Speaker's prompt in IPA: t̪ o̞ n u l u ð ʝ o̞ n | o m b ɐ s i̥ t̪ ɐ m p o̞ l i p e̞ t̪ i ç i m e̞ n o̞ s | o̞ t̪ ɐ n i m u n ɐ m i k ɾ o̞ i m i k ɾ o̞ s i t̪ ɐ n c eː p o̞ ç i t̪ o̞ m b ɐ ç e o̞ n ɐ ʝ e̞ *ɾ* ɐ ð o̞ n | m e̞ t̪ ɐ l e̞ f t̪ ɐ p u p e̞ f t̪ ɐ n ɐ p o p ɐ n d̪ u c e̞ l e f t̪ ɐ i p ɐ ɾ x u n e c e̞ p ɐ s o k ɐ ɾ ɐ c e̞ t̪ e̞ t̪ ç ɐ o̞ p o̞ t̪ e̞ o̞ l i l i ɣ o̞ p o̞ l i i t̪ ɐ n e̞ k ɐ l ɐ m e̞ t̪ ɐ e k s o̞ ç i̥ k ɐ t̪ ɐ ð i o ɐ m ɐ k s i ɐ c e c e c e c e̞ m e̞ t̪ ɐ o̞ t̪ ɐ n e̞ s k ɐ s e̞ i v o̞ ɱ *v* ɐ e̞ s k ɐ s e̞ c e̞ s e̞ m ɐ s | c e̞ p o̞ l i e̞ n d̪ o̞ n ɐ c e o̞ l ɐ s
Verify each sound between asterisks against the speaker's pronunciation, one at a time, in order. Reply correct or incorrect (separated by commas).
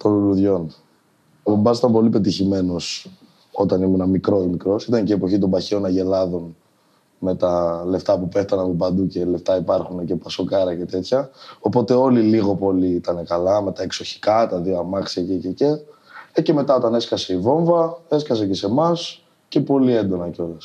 incorrect, correct